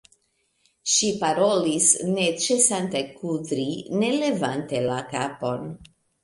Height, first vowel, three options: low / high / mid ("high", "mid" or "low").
high